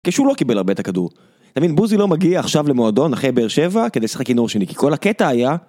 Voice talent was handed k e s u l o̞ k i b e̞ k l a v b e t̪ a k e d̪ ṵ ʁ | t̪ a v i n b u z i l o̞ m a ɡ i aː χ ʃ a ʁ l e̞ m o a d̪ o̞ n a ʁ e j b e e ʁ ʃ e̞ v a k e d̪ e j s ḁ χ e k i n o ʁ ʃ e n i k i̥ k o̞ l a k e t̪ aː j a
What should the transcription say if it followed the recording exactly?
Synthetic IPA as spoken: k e ʃ u l o̞ k i b e̞ l a ʁ b e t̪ a k a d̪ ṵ ʁ | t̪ a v i n b u z i l o̞ m a ɡ i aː χ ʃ a v l e̞ m o a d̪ o̞ n a χ e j b e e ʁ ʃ e̞ v a k e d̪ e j s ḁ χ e k i n o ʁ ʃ e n i k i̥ k o̞ l a k e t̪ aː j a